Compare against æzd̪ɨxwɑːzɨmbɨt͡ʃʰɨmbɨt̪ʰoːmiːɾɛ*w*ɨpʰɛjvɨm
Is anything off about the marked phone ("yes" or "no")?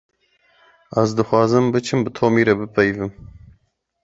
yes